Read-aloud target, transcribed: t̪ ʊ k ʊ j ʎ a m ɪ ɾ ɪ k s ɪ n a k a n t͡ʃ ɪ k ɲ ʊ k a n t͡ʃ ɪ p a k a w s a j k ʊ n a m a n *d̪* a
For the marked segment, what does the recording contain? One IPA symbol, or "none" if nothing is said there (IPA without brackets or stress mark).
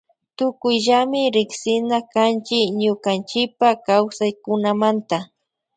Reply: t̪